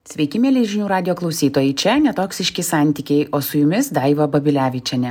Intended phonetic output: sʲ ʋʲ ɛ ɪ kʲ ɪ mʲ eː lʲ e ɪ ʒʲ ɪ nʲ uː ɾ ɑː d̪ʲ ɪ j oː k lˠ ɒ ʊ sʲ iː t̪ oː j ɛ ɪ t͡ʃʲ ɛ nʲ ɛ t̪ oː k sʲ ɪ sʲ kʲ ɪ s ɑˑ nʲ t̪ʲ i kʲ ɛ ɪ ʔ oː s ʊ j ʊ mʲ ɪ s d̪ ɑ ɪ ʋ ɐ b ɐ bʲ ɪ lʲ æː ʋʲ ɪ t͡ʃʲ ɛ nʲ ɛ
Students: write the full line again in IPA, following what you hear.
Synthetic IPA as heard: sʲ ʋʲ ɛ ɪ kʲ ɪ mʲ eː lʲ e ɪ ʒʲ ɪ nʲ uː ɾ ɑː d̪ʲ ɪ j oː k lˠ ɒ ʊ sʲ iː t̪ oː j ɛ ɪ t͡ʃʲ ɛ nʲ ɛ t̪ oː k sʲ ɪ ʃʲ kʲ ɪ s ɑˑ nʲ t̪ʲ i kʲ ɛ ɪ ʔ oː s ʊ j ʊ mʲ ɪ s d̪ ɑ ɪ ʋ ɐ b ɐ bʲ ɪ lʲ æː ʋʲ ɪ t͡ʃʲ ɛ nʲ ɛ